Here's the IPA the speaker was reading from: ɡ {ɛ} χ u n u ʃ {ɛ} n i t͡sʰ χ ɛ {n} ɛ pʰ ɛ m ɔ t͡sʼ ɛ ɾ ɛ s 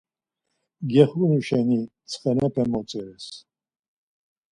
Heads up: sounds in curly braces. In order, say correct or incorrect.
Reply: correct, correct, correct

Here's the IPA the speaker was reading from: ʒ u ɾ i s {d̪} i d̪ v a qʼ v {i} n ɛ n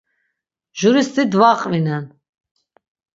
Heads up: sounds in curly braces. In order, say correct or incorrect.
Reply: incorrect: t̪, correct

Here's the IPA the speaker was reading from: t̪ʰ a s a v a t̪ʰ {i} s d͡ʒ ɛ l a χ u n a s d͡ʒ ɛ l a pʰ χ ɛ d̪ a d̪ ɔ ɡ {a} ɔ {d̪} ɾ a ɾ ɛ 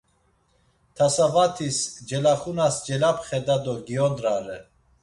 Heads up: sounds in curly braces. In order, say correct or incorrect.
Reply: correct, incorrect: i, correct

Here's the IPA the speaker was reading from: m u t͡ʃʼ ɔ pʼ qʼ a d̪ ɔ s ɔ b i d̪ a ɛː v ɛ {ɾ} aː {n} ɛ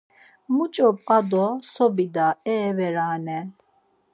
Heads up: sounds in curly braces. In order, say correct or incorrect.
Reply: correct, correct

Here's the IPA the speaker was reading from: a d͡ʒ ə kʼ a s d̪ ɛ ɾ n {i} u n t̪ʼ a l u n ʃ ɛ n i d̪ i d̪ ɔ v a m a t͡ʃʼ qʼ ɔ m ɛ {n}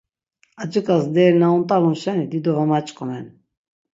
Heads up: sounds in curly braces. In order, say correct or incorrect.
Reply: incorrect: a, correct

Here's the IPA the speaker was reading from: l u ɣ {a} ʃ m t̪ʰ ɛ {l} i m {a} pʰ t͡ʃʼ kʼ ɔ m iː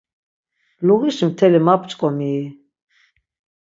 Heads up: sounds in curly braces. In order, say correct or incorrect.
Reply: incorrect: i, correct, correct

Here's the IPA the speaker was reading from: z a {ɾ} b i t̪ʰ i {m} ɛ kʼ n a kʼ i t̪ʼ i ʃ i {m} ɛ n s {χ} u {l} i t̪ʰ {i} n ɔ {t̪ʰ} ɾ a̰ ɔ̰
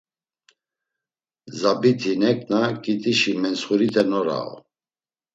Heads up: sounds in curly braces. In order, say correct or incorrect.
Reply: incorrect: none, incorrect: n, correct, correct, incorrect: ɾ, incorrect: ɛ, incorrect: none

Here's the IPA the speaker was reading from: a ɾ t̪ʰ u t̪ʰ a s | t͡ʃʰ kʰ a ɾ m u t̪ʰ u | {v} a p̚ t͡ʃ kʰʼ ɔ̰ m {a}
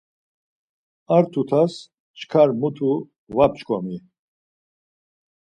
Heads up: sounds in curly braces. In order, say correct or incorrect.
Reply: correct, incorrect: i

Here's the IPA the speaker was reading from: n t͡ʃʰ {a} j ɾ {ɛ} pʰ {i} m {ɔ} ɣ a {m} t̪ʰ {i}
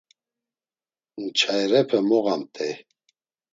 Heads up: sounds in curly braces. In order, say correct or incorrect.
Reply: correct, correct, incorrect: ɛ, correct, correct, incorrect: ɛ

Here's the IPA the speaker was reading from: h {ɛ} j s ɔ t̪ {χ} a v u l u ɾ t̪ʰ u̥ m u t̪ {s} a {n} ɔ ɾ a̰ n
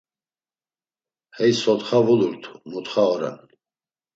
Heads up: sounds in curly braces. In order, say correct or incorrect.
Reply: correct, correct, incorrect: χ, incorrect: none

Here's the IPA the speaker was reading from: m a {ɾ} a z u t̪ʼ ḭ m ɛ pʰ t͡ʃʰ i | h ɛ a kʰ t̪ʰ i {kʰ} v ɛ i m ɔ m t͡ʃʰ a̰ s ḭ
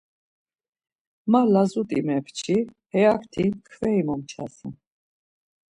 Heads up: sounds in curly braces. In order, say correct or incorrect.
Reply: incorrect: l, correct

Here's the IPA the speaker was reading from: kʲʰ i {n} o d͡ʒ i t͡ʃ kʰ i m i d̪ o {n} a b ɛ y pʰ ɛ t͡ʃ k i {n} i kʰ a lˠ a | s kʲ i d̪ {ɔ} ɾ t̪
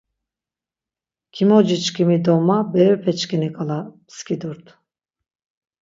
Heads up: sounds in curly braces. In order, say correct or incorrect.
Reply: incorrect: m, incorrect: m, correct, incorrect: u

